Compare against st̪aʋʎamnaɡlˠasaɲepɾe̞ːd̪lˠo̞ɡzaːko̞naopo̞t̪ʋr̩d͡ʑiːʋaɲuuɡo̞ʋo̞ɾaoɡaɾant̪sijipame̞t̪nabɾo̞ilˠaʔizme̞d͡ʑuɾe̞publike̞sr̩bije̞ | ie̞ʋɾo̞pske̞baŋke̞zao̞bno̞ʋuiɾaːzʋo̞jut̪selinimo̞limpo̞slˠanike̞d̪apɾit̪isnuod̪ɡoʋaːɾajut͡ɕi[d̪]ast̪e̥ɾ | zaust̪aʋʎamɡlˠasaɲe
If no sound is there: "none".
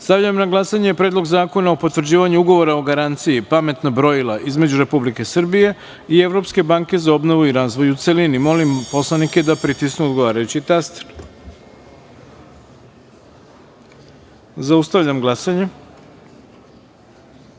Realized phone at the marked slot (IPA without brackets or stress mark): t̪